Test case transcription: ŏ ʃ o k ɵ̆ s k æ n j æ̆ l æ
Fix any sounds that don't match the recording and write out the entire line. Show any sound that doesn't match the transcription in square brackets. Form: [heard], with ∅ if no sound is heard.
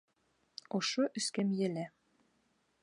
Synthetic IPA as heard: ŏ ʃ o [ʔ] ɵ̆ s k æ [m] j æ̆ l æ